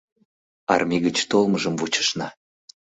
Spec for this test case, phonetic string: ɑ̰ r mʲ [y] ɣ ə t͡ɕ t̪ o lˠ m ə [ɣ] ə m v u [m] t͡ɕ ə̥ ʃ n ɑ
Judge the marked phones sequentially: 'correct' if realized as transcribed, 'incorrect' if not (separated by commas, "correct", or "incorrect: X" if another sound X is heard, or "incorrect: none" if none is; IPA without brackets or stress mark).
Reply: incorrect: i, incorrect: ʒ, incorrect: none